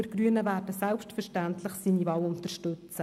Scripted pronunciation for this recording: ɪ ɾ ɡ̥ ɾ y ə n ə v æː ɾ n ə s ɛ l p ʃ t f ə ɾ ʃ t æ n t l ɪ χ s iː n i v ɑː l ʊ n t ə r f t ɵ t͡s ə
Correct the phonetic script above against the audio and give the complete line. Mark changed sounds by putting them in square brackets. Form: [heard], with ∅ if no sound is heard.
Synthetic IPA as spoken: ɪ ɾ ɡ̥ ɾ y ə n ə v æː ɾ [d] ə s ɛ l p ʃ t f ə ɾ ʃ t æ n t l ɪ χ s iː n i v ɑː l ʊ n t ə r [ʃ] t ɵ t͡s ə